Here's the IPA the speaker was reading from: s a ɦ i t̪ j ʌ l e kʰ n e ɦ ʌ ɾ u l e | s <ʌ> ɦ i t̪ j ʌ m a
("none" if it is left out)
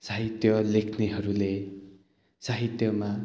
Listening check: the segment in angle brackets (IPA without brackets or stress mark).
a